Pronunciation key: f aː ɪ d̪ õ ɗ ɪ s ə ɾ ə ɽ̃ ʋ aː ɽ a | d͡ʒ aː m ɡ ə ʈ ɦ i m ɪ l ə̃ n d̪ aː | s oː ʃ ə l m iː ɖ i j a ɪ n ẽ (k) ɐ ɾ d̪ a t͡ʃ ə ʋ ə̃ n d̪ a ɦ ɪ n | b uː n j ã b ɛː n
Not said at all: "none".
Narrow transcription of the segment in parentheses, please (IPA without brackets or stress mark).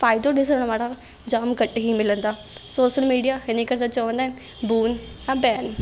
k